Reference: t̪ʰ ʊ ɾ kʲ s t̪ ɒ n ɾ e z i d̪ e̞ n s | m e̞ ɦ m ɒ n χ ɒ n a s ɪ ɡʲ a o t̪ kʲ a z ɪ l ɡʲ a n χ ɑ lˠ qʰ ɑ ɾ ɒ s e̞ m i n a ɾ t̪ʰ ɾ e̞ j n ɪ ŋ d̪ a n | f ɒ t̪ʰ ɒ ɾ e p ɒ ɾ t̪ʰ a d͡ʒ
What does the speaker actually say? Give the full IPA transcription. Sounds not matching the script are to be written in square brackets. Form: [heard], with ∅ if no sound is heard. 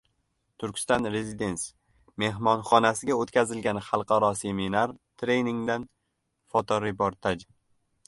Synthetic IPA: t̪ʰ ʊ ɾ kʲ s t̪ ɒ n ɾ e z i d̪ e̞ n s | m e̞ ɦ m ɒ n χ ɒ n a s ɪ ɡʲ a o t̪ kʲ a z ɪ l ɡʲ a n χ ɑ lˠ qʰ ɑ ɾ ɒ s e̞ m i n a ɾ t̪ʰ ɾ e̞ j n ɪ ŋ d̪ a n | f ɒ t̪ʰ ɒ ɾ e p [o] ɾ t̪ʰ a d͡ʒ